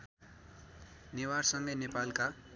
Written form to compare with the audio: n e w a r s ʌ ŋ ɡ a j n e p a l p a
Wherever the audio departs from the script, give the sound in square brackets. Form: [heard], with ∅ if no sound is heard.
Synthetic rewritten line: n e w a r s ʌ ŋ ɡ [ʌ] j n e p a l [k] a